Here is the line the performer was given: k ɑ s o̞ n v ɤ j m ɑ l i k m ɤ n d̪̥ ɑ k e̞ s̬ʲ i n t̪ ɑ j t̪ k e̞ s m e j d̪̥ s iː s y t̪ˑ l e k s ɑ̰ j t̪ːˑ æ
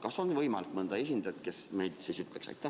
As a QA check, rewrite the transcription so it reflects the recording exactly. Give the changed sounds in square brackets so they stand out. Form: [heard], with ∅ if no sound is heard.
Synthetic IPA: k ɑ s o̞ n v ɤ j m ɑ l i k m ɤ n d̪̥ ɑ [∅] e̞ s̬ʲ i n [d̪] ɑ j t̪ k e̞ s m e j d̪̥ s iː s y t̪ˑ l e k s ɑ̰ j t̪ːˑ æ